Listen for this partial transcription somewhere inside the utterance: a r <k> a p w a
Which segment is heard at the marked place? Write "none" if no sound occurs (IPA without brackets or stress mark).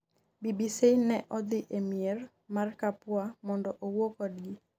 k